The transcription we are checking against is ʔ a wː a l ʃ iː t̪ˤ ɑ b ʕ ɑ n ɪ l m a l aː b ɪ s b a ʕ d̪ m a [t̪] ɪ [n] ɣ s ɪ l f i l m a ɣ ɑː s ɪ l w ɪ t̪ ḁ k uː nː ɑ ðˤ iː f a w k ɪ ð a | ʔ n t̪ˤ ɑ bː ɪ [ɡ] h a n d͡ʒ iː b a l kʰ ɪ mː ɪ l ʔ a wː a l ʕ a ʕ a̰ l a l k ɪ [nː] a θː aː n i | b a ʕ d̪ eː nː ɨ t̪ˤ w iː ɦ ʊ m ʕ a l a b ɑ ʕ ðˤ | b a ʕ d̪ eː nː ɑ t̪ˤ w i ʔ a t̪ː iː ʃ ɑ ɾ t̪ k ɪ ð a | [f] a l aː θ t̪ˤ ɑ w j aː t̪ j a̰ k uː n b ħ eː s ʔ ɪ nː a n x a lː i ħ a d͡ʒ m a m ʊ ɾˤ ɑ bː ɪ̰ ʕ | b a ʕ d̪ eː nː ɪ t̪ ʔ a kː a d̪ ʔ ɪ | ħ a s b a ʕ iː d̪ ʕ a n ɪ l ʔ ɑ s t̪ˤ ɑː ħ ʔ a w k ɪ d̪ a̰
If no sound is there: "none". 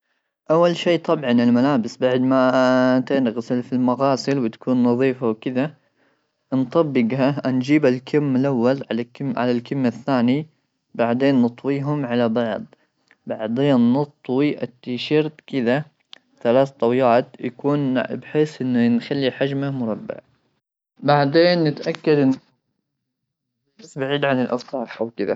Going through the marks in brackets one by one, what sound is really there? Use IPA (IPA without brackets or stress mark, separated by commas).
t̪, n, ɡ, mː, θ